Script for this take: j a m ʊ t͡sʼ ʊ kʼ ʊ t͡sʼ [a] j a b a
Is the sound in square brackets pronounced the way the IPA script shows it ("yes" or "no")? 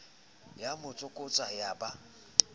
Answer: yes